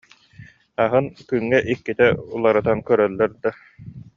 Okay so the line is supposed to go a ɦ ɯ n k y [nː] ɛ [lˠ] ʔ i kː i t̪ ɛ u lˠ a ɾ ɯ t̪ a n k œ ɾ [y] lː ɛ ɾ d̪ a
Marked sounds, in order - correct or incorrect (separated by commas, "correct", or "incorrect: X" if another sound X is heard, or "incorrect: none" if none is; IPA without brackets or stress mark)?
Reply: incorrect: ŋː, incorrect: none, incorrect: œ